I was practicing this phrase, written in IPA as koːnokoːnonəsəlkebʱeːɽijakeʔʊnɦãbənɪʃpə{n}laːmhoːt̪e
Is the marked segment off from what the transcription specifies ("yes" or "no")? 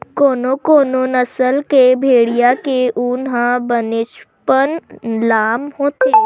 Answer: no